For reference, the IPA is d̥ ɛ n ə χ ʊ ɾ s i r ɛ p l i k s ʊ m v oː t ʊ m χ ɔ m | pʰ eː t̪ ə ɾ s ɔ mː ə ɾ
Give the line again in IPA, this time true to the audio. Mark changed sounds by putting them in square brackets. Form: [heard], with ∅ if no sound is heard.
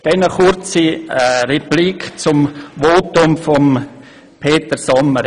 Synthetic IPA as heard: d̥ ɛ n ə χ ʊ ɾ [t͡s] i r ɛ p l i k [t͡s] ʊ m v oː t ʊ m [f] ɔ m | pʰ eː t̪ ə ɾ s ɔ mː ə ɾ